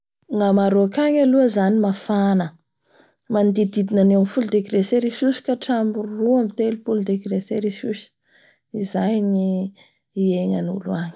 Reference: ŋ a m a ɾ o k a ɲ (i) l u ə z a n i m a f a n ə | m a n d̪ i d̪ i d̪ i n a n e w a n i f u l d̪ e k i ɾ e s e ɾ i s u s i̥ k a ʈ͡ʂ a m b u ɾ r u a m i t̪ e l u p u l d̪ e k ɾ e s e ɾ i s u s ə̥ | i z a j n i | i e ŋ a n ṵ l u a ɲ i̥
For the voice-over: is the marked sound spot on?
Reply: no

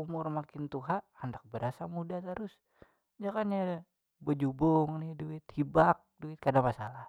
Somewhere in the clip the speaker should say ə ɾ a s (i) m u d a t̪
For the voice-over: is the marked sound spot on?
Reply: no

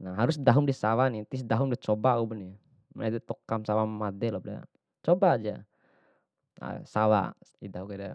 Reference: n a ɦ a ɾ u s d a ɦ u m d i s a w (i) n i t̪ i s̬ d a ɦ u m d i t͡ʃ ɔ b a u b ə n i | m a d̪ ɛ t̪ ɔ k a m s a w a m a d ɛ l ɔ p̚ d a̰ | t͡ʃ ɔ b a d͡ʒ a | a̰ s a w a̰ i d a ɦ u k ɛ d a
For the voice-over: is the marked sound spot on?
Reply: no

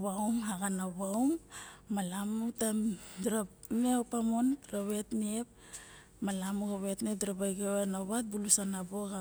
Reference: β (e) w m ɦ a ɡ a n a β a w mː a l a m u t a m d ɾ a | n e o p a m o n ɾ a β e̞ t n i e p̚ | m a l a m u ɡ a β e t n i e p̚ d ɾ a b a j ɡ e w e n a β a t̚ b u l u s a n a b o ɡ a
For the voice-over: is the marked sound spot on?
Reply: no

